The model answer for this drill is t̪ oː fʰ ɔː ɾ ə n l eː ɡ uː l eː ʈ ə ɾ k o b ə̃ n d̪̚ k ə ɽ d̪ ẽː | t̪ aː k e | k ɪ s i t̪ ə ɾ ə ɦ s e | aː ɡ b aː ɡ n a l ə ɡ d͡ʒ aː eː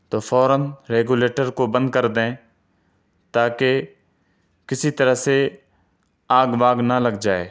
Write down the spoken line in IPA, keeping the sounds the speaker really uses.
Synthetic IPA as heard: t̪ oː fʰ ɔː ɾ ə n ɾ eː ɡ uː l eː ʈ ə ɾ k o b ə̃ n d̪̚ k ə ɾ d̪ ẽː | t̪ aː k e | k ɪ s i t̪ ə ɾ ə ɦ s e | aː ɡ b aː ɡ n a l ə ɡ d͡ʒ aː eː